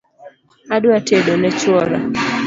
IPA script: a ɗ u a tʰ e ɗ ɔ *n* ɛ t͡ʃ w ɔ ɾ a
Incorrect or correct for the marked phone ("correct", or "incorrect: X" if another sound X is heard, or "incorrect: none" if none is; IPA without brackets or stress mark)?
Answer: correct